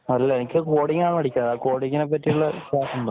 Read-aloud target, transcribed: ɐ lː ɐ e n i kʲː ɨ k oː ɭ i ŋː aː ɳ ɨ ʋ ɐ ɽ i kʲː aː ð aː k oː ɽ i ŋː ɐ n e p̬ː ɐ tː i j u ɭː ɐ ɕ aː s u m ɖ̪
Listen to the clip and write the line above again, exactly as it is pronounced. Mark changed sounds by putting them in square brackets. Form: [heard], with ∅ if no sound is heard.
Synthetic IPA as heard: ɐ lː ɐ e n i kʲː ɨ k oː [ɽ] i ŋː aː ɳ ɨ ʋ ɐ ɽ i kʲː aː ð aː k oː ɽ i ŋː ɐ n e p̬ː ɐ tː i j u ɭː ɐ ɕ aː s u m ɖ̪